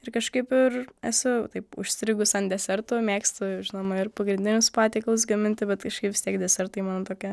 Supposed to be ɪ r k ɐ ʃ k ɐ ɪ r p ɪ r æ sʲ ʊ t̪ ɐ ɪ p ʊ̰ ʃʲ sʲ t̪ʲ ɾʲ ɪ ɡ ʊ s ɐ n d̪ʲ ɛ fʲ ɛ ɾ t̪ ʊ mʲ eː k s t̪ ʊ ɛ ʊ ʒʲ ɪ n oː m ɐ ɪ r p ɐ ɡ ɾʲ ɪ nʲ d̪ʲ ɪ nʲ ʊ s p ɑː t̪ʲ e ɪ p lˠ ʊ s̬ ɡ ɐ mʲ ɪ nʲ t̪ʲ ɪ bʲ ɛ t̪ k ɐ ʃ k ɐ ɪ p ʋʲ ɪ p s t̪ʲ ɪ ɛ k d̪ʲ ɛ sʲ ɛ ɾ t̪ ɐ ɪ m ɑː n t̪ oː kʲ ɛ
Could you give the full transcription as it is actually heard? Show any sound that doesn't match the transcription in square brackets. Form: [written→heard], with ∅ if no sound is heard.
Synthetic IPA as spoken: ɪ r k ɐ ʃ k ɐ ɪ [r→∅] p ɪ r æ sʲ ʊ t̪ ɐ ɪ p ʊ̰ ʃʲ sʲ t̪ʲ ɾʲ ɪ ɡ ʊ s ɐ n d̪ʲ ɛ [fʲ→sʲ] ɛ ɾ t̪ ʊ mʲ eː k s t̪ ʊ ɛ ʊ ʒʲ ɪ n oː m ɐ ɪ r p ɐ ɡ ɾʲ ɪ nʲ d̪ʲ ɪ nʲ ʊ s p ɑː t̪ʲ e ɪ [p→k] lˠ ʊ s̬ ɡ ɐ mʲ ɪ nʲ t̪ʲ ɪ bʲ ɛ t̪ k ɐ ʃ k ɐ ɪ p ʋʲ ɪ [p→∅] s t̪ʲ [ɪ→i] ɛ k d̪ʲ ɛ sʲ ɛ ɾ t̪ ɐ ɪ m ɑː n t̪ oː kʲ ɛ